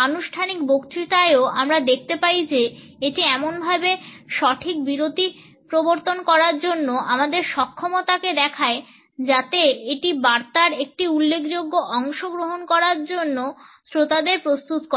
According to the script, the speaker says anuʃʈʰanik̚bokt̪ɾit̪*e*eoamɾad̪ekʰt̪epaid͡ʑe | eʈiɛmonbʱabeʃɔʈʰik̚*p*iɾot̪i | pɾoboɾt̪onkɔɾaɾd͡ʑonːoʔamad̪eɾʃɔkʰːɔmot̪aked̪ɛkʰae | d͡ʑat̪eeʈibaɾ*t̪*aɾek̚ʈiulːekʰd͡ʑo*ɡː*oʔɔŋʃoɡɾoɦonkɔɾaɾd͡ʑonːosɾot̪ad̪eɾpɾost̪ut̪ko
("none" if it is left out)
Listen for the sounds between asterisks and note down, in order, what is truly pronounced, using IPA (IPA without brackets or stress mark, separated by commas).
a, b, t̪, ɡː